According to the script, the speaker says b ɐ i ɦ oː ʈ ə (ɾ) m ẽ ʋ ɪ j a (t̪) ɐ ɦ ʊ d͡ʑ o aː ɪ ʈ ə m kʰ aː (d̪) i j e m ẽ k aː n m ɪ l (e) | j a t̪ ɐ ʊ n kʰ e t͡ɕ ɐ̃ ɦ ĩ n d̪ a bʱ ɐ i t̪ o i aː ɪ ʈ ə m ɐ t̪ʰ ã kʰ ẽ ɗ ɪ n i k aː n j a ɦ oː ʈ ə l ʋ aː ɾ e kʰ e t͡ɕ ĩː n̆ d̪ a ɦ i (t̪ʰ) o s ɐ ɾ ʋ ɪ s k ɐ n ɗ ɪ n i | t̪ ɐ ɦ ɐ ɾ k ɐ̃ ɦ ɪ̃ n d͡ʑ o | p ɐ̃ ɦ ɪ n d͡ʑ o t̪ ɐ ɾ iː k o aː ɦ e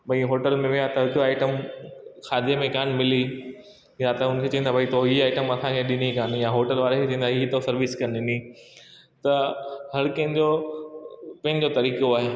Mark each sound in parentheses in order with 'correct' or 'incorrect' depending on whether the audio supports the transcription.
incorrect: l, correct, correct, incorrect: i, incorrect: t̪

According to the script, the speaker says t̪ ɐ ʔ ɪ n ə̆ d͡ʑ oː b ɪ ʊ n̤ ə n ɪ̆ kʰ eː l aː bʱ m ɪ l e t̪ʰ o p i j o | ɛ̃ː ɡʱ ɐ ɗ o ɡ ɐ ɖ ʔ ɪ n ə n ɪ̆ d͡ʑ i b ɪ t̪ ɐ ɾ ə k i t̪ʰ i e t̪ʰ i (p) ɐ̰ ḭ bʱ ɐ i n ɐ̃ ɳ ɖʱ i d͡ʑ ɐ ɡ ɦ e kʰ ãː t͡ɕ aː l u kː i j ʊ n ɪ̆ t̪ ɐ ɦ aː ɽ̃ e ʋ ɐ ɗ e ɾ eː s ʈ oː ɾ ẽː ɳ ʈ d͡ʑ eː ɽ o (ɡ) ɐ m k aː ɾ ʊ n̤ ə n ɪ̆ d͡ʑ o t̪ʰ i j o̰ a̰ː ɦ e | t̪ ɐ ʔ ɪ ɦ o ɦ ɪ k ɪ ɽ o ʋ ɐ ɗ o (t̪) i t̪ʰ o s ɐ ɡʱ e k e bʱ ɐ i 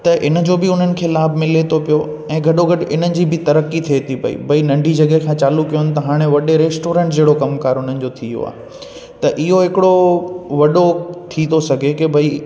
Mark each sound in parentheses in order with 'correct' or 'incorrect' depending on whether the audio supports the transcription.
correct, incorrect: k, incorrect: t̪ʰ

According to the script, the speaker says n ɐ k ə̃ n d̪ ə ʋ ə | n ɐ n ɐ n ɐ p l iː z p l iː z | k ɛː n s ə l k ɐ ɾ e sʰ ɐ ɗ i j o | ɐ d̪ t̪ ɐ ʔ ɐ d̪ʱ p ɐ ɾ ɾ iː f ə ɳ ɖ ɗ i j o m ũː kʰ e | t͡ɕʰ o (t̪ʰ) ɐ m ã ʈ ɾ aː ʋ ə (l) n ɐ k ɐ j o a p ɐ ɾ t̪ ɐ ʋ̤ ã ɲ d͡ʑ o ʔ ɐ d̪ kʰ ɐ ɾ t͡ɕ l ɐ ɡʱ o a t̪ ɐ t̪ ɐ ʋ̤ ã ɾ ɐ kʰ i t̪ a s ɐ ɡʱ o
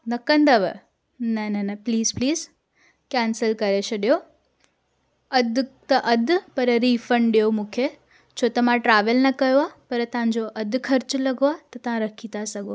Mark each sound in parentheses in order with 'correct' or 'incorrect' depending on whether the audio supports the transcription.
incorrect: t̪, correct

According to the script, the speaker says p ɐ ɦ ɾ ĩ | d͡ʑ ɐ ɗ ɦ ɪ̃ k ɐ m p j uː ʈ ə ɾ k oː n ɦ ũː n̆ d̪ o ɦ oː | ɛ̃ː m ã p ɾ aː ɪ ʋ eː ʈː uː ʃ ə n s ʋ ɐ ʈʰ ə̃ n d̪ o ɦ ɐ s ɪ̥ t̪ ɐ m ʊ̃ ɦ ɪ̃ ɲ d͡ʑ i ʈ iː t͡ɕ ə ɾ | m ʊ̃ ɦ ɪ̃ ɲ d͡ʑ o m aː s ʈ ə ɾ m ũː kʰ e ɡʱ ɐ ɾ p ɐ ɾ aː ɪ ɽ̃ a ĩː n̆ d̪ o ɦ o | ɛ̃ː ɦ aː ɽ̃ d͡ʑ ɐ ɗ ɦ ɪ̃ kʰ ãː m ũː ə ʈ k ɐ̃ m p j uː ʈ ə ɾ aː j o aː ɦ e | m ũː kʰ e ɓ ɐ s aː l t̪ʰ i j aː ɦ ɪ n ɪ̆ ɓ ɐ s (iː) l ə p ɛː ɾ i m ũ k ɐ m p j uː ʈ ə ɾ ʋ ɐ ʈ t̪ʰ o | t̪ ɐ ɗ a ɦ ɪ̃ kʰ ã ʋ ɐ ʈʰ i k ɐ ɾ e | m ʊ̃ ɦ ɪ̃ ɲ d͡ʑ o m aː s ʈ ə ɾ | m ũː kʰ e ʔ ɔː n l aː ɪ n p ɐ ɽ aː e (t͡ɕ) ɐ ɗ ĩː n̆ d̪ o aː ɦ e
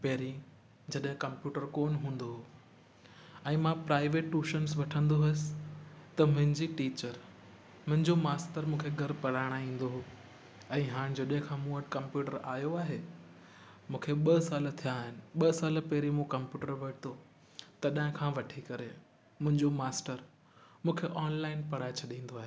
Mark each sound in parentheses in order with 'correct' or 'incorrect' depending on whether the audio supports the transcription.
incorrect: aː, incorrect: t͡ɕʰ

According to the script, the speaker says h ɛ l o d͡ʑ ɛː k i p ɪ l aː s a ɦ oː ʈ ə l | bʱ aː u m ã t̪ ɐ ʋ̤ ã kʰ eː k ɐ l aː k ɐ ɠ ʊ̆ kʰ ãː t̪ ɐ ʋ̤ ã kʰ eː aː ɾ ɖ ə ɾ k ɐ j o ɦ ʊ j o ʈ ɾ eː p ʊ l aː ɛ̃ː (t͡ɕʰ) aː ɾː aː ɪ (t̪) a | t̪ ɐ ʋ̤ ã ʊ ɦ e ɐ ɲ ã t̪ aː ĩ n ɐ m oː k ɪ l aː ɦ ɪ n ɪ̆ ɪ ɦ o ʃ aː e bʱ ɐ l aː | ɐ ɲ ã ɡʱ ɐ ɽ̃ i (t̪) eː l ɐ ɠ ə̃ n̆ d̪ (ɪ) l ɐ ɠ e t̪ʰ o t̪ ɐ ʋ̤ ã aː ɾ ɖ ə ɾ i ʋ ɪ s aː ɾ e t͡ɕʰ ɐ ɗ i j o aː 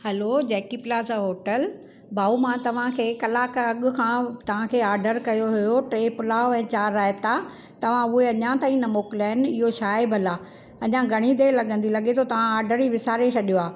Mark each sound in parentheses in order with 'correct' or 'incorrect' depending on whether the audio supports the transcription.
incorrect: t͡ɕ, correct, incorrect: d̪, incorrect: i

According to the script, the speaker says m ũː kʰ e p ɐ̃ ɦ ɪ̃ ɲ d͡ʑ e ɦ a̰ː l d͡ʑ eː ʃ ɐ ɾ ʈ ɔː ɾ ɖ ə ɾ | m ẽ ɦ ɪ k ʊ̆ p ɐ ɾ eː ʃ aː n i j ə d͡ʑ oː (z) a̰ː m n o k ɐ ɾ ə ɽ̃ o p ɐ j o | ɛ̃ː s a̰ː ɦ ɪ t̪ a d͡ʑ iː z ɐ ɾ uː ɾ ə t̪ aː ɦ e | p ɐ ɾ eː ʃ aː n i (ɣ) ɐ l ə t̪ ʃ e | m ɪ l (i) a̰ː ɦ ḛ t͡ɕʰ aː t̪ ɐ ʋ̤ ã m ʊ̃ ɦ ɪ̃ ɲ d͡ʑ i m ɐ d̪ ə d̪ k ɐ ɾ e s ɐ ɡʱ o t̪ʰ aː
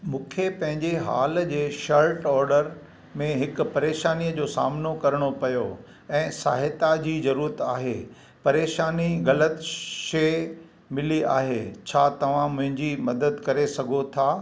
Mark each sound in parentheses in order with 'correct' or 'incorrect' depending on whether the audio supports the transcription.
incorrect: s, correct, correct

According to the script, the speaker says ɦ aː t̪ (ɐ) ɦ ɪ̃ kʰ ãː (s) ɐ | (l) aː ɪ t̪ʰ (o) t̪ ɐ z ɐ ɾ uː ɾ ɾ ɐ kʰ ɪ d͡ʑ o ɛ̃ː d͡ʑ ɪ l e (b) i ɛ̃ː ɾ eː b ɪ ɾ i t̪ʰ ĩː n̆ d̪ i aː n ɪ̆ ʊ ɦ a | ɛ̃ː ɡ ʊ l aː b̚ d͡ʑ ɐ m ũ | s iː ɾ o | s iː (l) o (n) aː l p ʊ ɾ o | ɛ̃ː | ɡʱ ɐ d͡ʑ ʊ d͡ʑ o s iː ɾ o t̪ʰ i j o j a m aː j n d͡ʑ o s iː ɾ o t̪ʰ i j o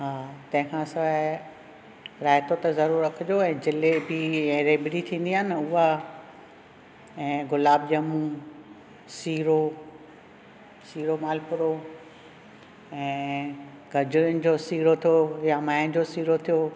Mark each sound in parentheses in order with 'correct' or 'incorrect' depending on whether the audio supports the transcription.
incorrect: ɐ̃, correct, incorrect: ɾ, correct, correct, incorrect: ɾ, incorrect: m

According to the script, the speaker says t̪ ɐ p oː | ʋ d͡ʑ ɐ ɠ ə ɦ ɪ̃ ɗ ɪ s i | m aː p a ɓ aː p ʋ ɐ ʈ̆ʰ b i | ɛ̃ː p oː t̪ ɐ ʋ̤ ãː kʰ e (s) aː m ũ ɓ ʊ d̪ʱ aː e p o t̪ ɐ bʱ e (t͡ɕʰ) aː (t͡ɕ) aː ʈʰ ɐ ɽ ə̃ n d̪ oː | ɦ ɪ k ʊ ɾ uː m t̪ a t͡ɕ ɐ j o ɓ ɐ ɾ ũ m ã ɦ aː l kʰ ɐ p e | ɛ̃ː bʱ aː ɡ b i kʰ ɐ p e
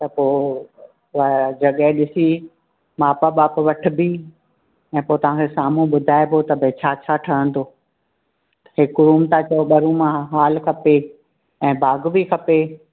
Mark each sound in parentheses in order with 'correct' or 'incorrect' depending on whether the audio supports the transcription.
correct, correct, incorrect: t͡ɕʰ

